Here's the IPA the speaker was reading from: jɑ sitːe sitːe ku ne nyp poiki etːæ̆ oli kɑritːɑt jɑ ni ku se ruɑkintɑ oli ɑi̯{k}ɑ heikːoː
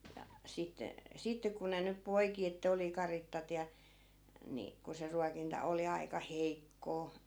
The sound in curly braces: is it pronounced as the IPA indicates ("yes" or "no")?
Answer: yes